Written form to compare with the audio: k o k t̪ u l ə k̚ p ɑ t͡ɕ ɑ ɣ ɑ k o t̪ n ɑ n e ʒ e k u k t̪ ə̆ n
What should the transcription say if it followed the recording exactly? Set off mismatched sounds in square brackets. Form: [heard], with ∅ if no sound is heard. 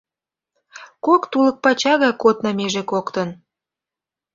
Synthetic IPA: k o k t̪ u l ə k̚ p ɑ t͡ɕ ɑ ɣ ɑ k o t̪ n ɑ [m] e ʒ e k [o] k t̪ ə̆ n